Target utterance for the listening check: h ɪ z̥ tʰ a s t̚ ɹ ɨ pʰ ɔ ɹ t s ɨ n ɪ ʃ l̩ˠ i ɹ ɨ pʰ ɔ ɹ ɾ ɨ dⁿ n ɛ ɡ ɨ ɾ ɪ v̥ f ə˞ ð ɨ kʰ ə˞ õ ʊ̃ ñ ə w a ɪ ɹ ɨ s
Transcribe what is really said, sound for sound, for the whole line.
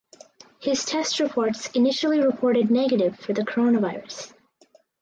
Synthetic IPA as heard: h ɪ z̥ tʰ ɛ s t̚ ɹ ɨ pʰ ɔ ɹ t s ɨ n ɪ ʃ l̩ˠ i ɹ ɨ pʰ ɔ ɹ ɾ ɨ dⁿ n ɛ ɡ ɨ ɾ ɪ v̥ f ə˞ ð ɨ kʰ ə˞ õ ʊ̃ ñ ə v a ɪ ɹ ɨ s